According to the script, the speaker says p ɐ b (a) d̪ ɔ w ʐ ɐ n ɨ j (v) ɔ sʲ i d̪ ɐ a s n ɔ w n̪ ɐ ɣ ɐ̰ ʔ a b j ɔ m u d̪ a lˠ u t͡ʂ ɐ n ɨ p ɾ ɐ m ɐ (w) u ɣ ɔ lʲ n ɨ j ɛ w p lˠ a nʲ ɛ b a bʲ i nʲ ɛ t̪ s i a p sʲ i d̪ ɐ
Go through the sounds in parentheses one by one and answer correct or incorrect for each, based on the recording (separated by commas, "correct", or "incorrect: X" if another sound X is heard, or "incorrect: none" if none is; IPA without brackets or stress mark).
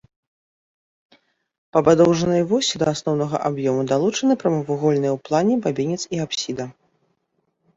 correct, correct, incorrect: v